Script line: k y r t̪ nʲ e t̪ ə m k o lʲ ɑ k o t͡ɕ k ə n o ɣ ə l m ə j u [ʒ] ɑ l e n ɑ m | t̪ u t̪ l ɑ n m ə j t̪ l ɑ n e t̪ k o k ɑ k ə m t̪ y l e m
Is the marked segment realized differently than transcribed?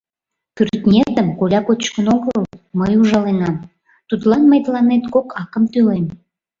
no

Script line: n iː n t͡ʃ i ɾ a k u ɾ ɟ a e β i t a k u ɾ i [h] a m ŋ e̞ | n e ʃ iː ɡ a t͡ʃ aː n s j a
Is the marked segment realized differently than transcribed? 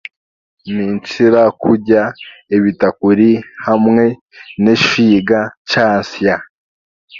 no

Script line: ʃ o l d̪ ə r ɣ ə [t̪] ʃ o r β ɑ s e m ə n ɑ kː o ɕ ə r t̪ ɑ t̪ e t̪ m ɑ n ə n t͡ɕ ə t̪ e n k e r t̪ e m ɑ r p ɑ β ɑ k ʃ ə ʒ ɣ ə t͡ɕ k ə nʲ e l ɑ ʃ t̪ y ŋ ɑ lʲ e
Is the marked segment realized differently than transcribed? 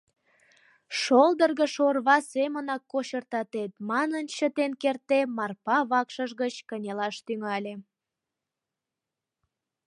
yes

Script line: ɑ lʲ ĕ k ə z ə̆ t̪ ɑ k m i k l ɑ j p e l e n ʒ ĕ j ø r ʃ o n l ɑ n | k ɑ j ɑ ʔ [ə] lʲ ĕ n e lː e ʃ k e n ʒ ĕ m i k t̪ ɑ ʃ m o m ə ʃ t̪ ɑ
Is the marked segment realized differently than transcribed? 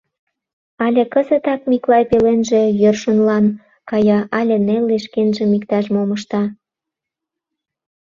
yes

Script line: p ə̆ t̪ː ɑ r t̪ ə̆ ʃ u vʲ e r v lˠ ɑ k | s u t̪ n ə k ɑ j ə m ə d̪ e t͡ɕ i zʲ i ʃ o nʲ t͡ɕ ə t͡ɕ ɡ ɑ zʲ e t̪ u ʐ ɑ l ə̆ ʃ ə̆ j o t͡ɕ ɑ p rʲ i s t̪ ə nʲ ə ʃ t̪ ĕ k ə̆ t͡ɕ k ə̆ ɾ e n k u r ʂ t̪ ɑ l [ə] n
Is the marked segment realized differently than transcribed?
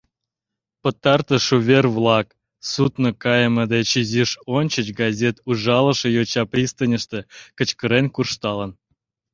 no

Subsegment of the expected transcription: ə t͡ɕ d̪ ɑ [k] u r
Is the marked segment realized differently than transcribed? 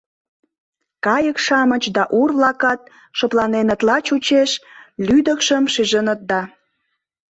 yes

